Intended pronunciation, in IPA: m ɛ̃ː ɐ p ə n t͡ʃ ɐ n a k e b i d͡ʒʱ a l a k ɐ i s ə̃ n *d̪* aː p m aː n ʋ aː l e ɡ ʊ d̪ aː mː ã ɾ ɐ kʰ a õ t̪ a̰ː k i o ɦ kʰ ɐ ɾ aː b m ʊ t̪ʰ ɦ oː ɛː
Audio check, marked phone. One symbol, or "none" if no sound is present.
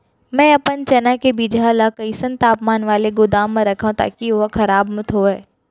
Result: t̪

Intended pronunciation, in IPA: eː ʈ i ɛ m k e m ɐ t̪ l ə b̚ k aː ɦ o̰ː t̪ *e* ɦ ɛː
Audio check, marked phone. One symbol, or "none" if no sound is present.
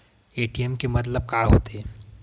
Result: e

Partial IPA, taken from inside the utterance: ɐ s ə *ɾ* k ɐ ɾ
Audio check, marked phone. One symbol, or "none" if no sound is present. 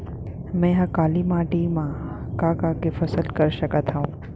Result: l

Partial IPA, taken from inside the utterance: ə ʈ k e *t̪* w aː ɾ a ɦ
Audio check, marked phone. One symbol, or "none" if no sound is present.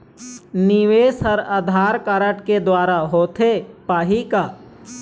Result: d̪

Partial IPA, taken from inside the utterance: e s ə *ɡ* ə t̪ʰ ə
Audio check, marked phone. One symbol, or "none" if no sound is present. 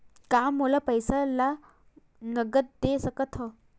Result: k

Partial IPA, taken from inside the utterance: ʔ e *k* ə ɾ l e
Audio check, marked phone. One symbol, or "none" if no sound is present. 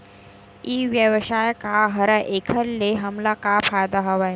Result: kʰ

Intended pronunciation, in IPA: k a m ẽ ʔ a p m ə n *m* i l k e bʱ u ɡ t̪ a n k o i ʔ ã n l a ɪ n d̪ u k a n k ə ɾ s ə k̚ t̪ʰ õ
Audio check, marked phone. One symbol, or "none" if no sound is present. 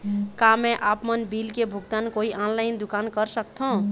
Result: b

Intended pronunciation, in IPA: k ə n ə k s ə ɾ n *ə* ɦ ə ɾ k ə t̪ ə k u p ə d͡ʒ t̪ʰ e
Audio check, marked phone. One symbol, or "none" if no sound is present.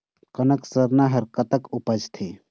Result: a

